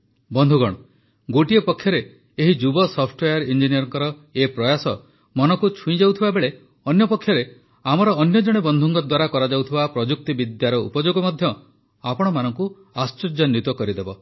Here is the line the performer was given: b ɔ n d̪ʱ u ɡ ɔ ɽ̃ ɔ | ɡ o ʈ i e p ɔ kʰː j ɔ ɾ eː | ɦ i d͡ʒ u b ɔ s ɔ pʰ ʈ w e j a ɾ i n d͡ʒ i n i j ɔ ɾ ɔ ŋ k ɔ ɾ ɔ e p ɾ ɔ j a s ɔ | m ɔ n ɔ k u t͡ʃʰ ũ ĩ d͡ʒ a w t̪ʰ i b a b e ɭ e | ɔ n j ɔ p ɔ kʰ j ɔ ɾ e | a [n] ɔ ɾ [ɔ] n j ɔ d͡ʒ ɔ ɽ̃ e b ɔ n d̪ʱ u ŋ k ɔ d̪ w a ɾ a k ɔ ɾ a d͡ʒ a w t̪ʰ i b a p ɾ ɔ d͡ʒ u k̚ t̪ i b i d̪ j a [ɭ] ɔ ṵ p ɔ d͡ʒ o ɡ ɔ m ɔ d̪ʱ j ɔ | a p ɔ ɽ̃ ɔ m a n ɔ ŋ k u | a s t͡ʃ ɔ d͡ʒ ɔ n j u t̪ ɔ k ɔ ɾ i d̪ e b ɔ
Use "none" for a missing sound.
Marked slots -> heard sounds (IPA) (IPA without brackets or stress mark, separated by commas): m, ɔː, ɾ